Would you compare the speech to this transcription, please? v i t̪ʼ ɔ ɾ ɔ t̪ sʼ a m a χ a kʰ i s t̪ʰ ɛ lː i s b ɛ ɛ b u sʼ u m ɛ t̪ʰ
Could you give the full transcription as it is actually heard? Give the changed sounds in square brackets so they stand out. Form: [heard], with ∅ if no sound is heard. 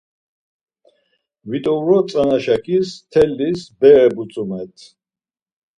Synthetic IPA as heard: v i t̪ʼ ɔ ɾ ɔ t̪ sʼ a [n] a [ʃ] a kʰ i s t̪ʰ ɛ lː i s b ɛ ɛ b u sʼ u m ɛ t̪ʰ